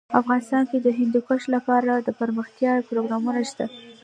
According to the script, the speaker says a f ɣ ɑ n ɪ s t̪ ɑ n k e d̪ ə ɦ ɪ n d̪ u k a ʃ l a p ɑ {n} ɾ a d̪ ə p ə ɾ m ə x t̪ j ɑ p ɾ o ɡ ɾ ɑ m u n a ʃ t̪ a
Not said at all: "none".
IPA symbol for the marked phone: none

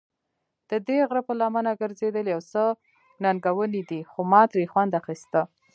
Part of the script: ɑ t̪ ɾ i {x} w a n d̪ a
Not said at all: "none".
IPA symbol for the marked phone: x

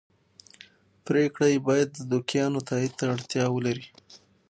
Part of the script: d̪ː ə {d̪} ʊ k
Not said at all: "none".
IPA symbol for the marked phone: d̪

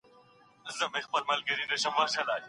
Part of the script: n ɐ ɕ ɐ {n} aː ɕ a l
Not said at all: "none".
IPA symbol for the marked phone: m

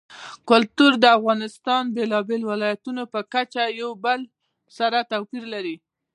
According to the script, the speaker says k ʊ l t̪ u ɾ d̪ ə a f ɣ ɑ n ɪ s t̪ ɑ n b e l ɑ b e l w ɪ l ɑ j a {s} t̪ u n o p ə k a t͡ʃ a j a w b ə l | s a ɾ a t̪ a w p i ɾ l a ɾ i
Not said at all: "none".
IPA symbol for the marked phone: none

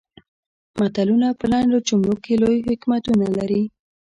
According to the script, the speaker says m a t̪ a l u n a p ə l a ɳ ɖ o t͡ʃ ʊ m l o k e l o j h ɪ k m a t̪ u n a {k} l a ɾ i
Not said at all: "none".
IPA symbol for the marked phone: none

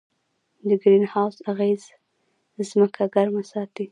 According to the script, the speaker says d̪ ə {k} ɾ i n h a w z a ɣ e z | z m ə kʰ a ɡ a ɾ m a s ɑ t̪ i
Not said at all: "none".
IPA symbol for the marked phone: ɡ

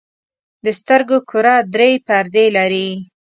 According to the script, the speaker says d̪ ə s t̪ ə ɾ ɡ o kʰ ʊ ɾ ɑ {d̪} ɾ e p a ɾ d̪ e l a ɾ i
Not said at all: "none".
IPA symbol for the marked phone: d̪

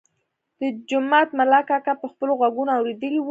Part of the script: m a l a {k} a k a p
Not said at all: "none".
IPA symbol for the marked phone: k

